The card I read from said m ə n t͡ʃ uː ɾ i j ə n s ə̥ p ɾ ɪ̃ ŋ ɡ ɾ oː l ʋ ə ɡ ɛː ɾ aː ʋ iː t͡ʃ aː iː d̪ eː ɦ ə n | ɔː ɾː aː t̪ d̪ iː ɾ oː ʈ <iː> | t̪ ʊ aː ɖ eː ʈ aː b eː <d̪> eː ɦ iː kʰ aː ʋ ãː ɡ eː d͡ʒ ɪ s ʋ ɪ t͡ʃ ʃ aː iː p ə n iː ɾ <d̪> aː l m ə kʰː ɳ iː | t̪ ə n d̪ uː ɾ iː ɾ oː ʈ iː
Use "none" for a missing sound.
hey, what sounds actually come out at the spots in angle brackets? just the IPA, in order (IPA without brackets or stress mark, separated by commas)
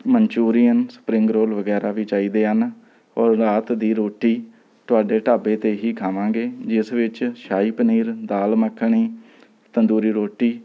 iː, t̪, d̪